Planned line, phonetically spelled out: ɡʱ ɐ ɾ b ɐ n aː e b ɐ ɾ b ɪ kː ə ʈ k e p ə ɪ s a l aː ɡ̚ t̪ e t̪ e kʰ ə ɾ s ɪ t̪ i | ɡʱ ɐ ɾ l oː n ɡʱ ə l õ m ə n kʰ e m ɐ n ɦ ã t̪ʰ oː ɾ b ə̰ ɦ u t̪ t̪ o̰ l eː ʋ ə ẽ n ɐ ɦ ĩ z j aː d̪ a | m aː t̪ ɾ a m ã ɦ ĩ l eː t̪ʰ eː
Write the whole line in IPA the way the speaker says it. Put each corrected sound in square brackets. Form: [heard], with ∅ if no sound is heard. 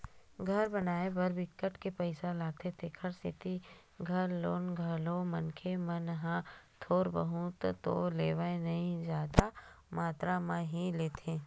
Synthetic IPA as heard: ɡʱ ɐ ɾ b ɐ n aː e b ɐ ɾ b ɪ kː ə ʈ k e p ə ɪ s a l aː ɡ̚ t̪ e [t̪ʰ] e kʰ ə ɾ s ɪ t̪ i | ɡʱ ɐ ɾ l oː n ɡʱ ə l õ m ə n kʰ e m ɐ n ɦ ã t̪ʰ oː ɾ b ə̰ ɦ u t̪ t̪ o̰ l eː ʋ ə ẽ n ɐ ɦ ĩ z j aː d̪ a | m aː t̪ ɾ a m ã ɦ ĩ l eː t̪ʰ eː